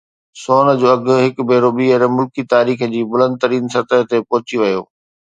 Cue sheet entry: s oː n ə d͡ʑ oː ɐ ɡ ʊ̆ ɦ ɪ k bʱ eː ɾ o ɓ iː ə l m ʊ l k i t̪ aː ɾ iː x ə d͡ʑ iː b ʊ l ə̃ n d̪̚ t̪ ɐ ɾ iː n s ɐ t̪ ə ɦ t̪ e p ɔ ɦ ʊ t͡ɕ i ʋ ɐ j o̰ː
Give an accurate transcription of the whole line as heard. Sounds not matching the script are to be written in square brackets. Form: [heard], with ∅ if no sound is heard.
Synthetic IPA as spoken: s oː n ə d͡ʑ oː ɐ ɡ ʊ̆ ɦ ɪ k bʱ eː ɾ o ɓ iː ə [ɾ] m ʊ l k i t̪ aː ɾ iː x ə d͡ʑ iː b ʊ l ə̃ n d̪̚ t̪ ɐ ɾ iː n s ɐ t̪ ə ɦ t̪ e p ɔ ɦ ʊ t͡ɕ i ʋ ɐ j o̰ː